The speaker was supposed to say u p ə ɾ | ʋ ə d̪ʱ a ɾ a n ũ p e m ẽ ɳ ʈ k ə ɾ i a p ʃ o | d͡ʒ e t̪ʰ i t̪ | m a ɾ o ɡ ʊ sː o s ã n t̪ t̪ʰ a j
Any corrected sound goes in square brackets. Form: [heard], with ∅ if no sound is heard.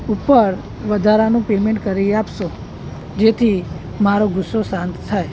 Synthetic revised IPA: u p ə ɾ | ʋ ə d̪ʱ a ɾ a n ũ p e m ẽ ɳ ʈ k ə ɾ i a p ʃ o | d͡ʒ e t̪ʰ i [∅] | m a ɾ o ɡ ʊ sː o s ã n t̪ t̪ʰ a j